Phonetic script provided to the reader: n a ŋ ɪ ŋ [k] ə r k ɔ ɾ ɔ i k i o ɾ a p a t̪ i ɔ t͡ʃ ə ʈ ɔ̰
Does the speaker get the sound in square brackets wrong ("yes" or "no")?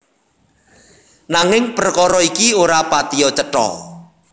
yes